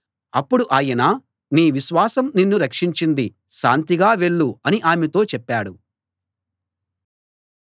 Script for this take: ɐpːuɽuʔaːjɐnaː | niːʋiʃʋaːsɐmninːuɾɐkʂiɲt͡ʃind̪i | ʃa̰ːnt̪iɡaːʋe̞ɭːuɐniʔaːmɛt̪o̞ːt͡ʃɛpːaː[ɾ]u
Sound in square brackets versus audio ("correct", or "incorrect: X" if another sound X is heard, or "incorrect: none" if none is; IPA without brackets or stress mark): incorrect: ɽ